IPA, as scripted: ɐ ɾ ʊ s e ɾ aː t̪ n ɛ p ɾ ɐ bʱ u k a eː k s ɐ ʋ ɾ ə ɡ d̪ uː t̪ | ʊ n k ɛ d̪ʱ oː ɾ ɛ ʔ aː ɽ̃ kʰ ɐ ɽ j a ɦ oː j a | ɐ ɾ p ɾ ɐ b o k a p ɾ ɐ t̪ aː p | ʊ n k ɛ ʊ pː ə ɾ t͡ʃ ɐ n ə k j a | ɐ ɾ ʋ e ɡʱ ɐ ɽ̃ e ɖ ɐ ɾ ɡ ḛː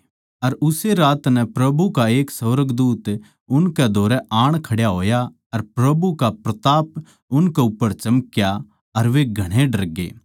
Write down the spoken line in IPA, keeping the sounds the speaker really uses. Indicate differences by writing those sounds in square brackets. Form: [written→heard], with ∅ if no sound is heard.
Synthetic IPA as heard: ɐ ɾ ʊ s e ɾ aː t̪ n ɛ p ɾ ɐ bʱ u k a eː k s ɐ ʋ ɾ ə ɡ d̪ uː t̪ | ʊ n k ɛ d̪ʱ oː ɾ ɛ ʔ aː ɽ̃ kʰ ɐ ɽ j a ɦ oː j a | ɐ ɾ p ɾ ɐ b [o→u] k a p ɾ ɐ t̪ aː p | ʊ n k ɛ ʊ pː ə ɾ t͡ʃ ɐ [n→m] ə k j a | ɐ ɾ ʋ e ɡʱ ɐ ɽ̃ e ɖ ɐ ɾ ɡ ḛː